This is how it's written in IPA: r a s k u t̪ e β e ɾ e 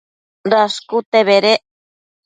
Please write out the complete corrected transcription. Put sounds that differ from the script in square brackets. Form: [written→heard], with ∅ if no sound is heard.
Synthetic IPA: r a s k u t̪ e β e ɾ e